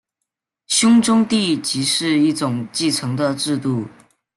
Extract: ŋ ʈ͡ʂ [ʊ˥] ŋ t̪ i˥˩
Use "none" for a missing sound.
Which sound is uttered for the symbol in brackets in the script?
ʊ˥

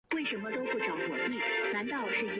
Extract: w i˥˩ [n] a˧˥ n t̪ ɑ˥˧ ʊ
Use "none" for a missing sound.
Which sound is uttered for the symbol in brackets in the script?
n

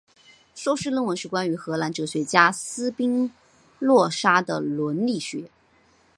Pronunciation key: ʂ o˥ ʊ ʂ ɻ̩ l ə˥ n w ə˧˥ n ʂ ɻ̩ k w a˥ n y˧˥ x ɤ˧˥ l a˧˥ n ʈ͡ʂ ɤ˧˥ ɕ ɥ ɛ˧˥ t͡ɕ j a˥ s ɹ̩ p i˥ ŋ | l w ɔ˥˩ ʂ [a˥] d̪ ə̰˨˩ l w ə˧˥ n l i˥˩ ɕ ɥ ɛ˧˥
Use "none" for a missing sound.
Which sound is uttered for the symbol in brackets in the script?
a˥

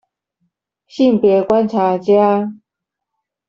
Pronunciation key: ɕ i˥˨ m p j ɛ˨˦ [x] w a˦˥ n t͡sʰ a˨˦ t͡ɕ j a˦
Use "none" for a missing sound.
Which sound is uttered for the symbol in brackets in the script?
k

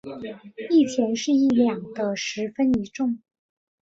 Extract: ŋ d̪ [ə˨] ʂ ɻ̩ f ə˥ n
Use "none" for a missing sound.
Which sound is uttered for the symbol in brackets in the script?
ə˦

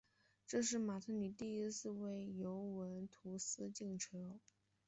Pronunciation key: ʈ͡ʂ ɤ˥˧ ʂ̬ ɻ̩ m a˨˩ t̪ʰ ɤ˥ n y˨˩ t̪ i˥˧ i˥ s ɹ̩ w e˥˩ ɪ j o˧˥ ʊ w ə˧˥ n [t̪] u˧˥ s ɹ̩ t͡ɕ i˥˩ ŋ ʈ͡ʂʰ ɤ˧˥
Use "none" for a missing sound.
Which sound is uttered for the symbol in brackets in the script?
t̪ʰ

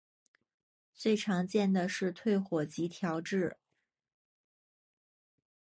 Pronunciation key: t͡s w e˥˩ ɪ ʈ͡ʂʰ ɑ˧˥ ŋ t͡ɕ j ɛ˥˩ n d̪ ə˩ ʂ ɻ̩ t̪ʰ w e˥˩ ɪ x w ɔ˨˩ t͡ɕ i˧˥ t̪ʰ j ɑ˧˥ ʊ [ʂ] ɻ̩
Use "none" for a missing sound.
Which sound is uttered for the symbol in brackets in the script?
ʈ͡ʂ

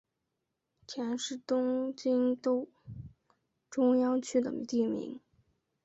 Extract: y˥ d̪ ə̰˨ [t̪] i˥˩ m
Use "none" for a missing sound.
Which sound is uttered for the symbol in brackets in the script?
t̪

